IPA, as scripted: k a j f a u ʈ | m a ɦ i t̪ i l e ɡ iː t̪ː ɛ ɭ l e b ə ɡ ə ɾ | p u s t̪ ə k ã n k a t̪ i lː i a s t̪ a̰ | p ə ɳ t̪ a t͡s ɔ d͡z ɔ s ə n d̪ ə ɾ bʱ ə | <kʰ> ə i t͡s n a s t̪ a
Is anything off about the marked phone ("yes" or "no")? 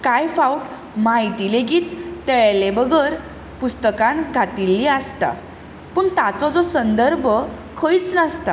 no